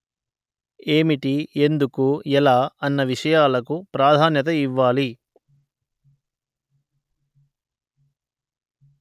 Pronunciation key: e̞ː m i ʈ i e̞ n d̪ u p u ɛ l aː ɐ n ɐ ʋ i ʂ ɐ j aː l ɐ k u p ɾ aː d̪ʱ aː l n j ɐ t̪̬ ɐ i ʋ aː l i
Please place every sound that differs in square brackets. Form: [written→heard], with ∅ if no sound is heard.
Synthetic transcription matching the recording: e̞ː m i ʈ i e̞ n d̪ u [p→k] u ɛ l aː ɐ [n→nː] ɐ ʋ i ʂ ɐ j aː l ɐ k u p ɾ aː d̪ʱ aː [l→∅] n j ɐ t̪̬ ɐ i [ʋ→ʋː] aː l i